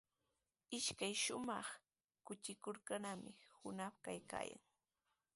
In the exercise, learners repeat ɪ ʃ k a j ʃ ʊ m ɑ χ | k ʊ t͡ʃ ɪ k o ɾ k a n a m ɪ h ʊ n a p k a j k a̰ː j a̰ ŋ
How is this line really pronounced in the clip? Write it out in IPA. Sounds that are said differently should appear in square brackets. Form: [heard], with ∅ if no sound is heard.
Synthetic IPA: ɪ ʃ k a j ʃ ʊ m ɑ χ | k ʊ t͡ʃ ɪ k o ɾ k a n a m ɪ h ʊ n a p k a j k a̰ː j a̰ ŋ